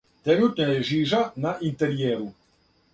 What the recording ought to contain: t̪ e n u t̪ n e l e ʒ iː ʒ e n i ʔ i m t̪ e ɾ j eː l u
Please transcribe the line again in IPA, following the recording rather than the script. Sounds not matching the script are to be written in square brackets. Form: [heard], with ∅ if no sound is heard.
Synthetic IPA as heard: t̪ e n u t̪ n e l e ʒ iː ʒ [a] n [a] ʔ i [n] t̪ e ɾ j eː [ɾ] u